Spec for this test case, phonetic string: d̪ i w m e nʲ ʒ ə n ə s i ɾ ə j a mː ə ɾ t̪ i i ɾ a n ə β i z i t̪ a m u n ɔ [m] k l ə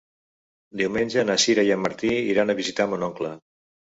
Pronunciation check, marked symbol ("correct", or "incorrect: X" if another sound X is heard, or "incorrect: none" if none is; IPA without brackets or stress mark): incorrect: ŋ